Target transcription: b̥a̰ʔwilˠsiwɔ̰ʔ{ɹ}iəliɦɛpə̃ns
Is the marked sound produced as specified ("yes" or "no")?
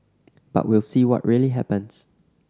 yes